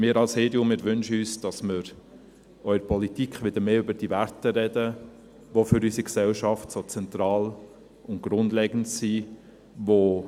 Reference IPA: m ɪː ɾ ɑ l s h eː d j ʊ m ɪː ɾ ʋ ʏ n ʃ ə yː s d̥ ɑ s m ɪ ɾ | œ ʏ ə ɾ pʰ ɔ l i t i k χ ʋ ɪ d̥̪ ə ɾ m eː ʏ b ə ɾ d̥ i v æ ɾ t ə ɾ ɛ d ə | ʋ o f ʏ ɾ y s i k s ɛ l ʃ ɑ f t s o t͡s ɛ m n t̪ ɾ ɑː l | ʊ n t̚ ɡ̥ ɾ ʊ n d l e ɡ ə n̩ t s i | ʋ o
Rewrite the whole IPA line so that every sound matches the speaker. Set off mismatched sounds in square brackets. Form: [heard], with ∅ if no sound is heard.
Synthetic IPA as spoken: m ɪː ɾ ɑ l s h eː d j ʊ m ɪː ɾ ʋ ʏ n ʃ ə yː s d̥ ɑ s m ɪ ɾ | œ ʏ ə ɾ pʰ ɔ l i t i k χ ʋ ɪ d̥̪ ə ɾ m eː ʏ b ə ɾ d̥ i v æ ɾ t ə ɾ ɛ d ə | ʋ o f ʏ ɾ y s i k s ɛ l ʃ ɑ f t s o t͡s ɛ [∅] n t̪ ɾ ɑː l | ʊ n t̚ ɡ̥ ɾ ʊ n d l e ɡ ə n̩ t s i | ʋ o